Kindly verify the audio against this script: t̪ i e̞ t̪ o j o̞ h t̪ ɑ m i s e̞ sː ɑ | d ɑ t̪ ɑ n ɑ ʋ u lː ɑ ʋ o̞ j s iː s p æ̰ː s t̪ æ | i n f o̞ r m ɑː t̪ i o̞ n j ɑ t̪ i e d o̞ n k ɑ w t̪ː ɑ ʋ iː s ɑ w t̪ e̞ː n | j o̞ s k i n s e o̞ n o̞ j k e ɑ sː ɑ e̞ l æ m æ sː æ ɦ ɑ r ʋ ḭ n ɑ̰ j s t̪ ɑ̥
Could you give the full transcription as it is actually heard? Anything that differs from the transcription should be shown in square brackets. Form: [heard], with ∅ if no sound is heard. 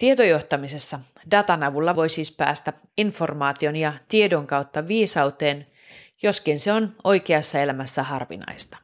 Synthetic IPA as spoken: t̪ i e̞ t̪ o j o̞ h t̪ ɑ m i s e̞ sː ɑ | d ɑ t̪ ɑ n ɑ ʋ u lː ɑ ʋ o̞ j s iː s p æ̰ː s t̪ æ | i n f o̞ r m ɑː t̪ i o̞ n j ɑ t̪ i e d o̞ [ŋ] k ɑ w t̪ː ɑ ʋ iː s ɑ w t̪ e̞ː n | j o̞ s k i n s e o̞ n o̞ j k e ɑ sː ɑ e̞ l æ m æ sː æ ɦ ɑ r ʋ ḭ n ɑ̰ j s t̪ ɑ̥